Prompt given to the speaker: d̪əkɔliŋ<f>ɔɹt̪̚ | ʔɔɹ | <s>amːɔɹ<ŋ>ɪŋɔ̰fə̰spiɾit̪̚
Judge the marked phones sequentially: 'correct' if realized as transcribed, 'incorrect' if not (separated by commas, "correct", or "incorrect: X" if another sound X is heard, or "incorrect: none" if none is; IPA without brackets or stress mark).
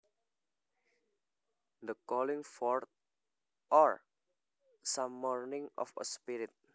correct, correct, incorrect: n